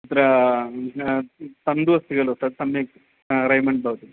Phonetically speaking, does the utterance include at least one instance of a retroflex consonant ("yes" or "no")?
yes